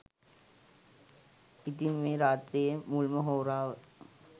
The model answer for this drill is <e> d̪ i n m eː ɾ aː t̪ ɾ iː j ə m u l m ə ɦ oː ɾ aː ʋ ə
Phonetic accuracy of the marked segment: incorrect: i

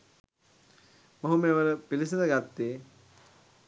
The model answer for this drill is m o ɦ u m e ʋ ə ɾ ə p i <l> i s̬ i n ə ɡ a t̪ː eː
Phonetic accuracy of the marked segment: correct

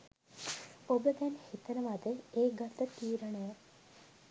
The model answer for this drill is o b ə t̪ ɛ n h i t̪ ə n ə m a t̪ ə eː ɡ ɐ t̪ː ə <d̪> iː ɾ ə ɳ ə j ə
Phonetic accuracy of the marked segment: incorrect: t̪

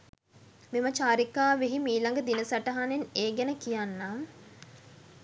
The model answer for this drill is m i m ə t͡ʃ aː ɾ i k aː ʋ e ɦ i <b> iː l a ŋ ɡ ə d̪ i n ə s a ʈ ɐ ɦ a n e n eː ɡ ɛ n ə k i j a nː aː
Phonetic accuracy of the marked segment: incorrect: m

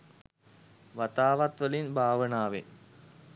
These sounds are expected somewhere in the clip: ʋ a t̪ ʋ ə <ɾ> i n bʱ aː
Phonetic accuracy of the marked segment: incorrect: l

